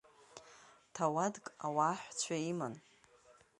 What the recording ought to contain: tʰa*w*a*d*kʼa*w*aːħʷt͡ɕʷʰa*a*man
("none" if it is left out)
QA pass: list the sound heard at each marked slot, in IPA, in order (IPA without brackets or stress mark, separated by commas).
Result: w, d, w, i